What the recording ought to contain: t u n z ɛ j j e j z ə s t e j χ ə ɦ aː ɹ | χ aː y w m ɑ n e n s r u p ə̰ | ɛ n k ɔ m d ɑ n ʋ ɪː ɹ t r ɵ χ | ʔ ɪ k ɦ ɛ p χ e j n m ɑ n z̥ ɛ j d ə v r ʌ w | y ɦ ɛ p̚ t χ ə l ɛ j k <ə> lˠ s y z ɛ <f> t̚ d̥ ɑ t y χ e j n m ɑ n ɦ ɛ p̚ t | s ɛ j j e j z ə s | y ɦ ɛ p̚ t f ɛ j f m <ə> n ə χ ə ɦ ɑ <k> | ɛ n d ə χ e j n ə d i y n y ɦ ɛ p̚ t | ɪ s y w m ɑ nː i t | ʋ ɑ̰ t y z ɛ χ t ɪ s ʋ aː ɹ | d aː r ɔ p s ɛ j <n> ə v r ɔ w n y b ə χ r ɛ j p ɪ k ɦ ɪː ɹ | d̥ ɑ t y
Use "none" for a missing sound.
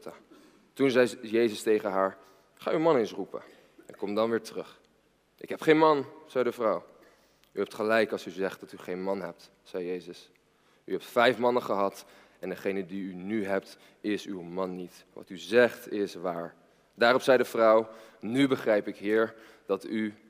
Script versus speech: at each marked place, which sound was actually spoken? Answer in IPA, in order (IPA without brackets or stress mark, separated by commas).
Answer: ɑ, χ, ɑ, t, d